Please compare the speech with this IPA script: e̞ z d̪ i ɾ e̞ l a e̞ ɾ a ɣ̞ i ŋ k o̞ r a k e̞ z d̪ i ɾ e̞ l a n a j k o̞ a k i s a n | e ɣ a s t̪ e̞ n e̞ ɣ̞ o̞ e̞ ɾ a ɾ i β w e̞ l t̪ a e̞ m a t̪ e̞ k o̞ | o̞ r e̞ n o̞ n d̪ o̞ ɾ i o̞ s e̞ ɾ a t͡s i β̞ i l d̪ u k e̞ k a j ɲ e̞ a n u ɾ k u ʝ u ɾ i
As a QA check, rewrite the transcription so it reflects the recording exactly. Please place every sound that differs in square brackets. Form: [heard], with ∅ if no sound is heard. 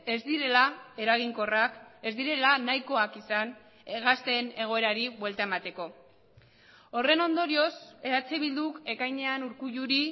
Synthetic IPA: e̞ z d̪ i ɾ e̞ l a e̞ ɾ a ɣ̞ i ŋ k o̞ r a k e̞ z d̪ i ɾ e̞ l a n a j k o̞ a k i s a n | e ɣ a s t̪ e̞ n e̞ ɣ̞ o̞ e̞ ɾ a ɾ i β w e̞ l t̪ a e̞ m a t̪ e̞ k o̞ | o̞ r e̞ n o̞ n d̪ o̞ ɾ i o̞ s e̞ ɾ a t͡s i β̞ i l d̪ u k e̞ k a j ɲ e̞ a n u ɾ k u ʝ u ɾ i